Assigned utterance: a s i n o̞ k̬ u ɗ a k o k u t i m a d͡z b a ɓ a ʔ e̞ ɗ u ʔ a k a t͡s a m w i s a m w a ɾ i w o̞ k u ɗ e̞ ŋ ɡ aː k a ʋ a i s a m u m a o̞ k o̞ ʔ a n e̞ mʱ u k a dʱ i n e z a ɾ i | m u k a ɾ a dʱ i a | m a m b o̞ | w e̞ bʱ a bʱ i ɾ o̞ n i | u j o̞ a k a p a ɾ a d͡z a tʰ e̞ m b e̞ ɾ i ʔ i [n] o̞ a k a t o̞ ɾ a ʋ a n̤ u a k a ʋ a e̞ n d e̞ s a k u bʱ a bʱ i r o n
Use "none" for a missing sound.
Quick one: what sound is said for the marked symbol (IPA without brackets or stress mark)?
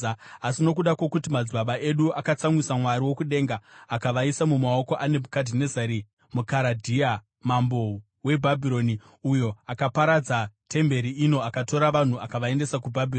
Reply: n